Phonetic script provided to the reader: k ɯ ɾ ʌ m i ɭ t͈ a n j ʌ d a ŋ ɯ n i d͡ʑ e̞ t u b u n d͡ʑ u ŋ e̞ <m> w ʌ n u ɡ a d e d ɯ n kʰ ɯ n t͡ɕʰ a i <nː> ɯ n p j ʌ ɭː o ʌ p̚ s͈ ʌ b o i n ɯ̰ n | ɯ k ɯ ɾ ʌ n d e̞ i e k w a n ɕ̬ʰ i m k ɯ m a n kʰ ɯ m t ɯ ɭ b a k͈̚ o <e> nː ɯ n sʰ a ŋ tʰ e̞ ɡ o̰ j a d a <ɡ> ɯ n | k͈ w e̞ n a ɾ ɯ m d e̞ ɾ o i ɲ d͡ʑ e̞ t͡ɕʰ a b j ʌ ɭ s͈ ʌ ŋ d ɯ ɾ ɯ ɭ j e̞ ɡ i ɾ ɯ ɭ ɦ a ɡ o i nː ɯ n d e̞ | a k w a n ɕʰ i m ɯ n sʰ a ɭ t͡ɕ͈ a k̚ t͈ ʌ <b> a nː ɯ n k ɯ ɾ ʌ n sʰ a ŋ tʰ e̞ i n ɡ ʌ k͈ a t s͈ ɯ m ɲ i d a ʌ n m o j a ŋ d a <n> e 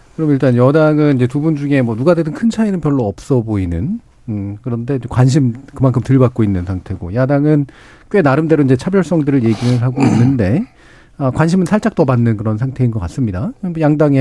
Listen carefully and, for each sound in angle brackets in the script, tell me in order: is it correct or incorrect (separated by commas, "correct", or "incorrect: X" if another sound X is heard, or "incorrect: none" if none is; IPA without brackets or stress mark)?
correct, incorrect: n, incorrect: i, incorrect: ŋ, correct, incorrect: ŋ